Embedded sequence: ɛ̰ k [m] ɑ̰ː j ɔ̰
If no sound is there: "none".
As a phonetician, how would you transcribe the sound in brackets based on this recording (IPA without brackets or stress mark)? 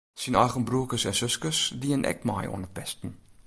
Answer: m